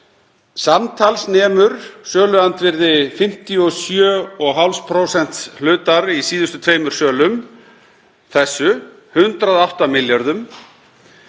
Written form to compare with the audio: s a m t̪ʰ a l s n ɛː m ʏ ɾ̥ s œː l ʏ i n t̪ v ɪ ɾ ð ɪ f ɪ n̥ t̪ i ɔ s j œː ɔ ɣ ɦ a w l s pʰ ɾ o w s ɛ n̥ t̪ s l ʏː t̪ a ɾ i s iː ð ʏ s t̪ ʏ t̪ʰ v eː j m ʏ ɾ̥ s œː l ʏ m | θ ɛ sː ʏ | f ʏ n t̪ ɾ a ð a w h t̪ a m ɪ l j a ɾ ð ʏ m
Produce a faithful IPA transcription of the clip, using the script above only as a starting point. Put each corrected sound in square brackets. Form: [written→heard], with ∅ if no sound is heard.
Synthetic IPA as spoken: s a m t̪ʰ a l s n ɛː m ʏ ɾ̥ s œː l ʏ [i→a] n t̪ v ɪ ɾ ð ɪ f ɪ [n̥→m̥] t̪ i ɔ s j œː ɔ ɣ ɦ a w l s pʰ ɾ o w s ɛ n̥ t̪ s l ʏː t̪ a ɾ i s iː ð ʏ s t̪ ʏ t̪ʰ v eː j m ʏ ɾ̥ s œː l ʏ m | θ ɛ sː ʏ | [f→h] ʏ n t̪ ɾ a ð a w h t̪ a m ɪ l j a ɾ ð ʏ m